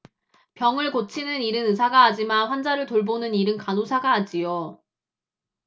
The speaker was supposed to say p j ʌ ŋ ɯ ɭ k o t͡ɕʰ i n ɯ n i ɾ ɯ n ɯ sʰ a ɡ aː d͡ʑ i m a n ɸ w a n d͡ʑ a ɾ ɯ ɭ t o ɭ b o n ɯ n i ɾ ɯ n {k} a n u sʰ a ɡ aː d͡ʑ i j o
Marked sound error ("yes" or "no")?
no